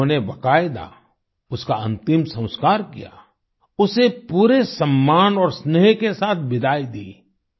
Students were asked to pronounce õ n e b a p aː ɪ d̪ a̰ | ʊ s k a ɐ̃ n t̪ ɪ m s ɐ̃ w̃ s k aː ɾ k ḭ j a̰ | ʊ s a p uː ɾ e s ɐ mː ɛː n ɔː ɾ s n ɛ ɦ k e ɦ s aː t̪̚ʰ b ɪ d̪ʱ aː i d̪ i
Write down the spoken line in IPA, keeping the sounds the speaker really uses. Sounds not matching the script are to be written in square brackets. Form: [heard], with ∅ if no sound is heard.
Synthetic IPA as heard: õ n e b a [k] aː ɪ d̪ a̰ | ʊ s k a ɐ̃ n t̪ ɪ m s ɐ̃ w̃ s k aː ɾ k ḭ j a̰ | ʊ s [e] p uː ɾ e s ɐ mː [aː] n ɔː ɾ s n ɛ ɦ k e [∅] s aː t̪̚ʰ b ɪ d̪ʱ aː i d̪ [iː]

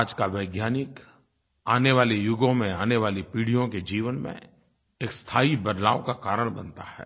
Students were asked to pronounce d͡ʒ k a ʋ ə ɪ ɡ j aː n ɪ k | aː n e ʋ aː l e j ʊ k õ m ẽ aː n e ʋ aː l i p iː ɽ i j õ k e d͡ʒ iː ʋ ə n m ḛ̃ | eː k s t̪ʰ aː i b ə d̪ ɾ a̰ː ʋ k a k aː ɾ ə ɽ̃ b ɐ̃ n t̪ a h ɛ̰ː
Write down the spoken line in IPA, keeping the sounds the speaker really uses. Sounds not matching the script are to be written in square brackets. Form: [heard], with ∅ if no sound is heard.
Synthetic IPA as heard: d͡ʒ k a ʋ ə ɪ ɡ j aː n ɪ k | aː n e ʋ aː l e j ʊ [ɡ] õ m ẽ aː n e ʋ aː l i p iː ɽ i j õ k e d͡ʒ iː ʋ ə n m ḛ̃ | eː k s t̪ʰ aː i b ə d̪ [l] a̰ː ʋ k a k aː ɾ ə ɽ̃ b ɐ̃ n t̪ a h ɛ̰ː

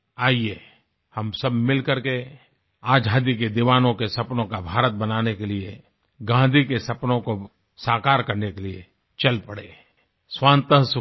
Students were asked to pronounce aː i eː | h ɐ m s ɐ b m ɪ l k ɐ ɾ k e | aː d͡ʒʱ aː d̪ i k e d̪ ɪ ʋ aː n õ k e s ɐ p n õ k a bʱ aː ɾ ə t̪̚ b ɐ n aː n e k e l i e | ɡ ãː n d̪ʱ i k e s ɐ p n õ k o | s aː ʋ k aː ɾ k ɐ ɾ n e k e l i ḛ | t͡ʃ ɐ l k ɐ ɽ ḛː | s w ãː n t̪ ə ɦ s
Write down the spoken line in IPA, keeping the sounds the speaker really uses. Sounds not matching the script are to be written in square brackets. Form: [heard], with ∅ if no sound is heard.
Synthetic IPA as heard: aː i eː | h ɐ m s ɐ b m ɪ l k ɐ ɾ k e | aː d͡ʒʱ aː d̪ i k e d̪ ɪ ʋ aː n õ k e s ɐ p n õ k a bʱ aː ɾ ə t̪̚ b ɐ n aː n e k e l i e | ɡ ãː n d̪ʱ i k e s ɐ p n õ k o | s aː [∅] k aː ɾ k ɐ ɾ n e k e l i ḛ | t͡ʃ ɐ l [p] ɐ ɽ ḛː | s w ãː n t̪ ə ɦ s

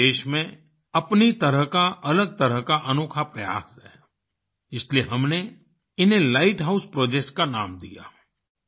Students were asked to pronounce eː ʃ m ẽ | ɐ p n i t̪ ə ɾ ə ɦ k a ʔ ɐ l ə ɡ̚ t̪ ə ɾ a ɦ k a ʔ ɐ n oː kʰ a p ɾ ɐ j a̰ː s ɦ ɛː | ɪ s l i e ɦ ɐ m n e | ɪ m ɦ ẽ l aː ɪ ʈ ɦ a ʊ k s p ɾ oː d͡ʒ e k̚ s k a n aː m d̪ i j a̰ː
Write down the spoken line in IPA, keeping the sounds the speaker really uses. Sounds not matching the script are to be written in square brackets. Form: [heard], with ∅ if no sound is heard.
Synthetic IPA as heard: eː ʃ m ẽ | ɐ p n i t̪ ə ɾ ə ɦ k a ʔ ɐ l ə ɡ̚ t̪ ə ɾ [ə] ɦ k a ʔ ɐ n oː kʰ a p ɾ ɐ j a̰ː s ɦ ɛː | ɪ s l i e ɦ ɐ m n e | ɪ [n] ɦ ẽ l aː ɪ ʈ ɦ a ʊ [∅] s p ɾ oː d͡ʒ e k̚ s k a n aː m d̪ i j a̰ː

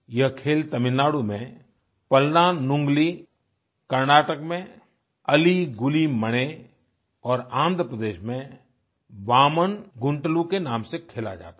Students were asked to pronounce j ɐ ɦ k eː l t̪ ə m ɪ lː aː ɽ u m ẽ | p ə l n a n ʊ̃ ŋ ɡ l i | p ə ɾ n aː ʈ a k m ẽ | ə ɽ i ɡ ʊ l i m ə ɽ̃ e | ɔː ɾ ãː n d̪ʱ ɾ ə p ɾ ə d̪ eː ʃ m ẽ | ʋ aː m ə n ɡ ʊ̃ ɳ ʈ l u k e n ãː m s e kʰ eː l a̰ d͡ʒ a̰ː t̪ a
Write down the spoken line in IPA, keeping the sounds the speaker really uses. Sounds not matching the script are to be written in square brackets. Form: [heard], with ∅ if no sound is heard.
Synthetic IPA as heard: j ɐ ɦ [kʰ] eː l t̪ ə m ɪ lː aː ɽ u m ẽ | p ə l n a n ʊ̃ ŋ ɡ l i | [k] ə ɾ n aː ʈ [ə] k m ẽ | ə [l] i ɡ ʊ l i m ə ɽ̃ e | ɔː ɾ ãː n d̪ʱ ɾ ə p ɾ ə d̪ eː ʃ m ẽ | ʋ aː m ə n ɡ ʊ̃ ɳ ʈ l u k e n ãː m s e kʰ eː l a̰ d͡ʒ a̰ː t̪ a

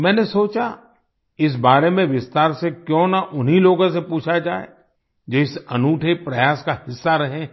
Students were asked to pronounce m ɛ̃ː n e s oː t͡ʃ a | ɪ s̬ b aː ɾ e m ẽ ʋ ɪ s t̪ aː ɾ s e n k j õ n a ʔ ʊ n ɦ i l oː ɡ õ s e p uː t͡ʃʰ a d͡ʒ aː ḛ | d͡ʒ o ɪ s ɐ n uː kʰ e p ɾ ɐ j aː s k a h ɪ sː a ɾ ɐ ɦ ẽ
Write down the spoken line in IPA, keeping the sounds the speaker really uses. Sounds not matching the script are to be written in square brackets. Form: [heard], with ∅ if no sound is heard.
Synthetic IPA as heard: m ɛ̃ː n e s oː t͡ʃ a | ɪ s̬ b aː ɾ e m ẽ ʋ ɪ s t̪ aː ɾ s e [∅] k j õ n a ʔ ʊ n ɦ i l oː ɡ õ s e p uː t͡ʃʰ a d͡ʒ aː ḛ | d͡ʒ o ɪ s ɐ n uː [ʈʰ] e p ɾ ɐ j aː s k a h ɪ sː a ɾ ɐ ɦ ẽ

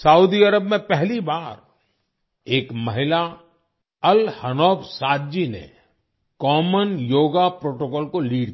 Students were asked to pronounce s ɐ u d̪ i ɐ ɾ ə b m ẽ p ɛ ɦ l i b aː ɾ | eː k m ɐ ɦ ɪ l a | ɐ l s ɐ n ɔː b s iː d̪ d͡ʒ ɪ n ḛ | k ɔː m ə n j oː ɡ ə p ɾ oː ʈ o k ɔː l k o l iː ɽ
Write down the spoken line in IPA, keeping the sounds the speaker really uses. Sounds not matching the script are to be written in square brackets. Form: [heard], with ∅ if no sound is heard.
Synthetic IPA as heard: s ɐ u d̪ i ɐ ɾ ə b m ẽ p ɛ ɦ l i b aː ɾ | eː k m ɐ ɦ ɪ l a | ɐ l [h] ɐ n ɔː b s [aː] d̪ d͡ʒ [i] n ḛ | k ɔː m ə n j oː ɡ [a] p ɾ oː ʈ o k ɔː l k o l iː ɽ

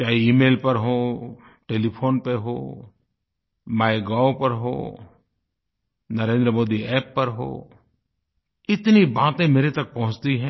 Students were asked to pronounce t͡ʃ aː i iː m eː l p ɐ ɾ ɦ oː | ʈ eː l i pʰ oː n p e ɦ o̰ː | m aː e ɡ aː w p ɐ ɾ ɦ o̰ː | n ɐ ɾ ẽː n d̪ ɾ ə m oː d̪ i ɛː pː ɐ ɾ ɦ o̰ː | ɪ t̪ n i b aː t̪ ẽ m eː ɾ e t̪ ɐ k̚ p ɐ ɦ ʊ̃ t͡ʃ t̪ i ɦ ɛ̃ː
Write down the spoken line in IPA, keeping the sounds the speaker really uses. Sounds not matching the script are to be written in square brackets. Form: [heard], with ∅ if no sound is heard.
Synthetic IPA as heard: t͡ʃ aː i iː m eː l p ɐ ɾ ɦ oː | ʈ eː l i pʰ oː n p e ɦ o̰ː | m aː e ɡ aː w p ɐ ɾ ɦ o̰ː | n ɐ ɾ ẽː n d̪ ɾ ə m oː d̪ i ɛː pː ɐ ɾ ɦ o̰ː | ɪ t̪ n i b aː t̪ ẽ m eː ɾ e t̪ ɐ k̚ p ɐ ɦ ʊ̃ t͡ʃ t̪ i ɦ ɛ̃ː

